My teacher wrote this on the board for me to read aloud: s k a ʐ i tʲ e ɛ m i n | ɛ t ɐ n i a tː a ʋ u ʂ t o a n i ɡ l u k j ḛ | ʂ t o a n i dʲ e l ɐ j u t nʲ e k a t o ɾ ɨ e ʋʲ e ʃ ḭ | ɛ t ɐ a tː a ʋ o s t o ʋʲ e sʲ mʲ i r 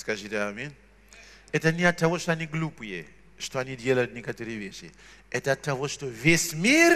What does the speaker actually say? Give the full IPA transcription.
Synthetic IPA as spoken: s k a ʐ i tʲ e a m i n | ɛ t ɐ n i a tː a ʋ o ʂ t o a n i ɡ l u p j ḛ | ʂ t o a n i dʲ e l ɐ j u t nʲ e k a t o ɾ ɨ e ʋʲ e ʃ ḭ | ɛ t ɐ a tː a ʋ o ʂ t o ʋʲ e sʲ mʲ i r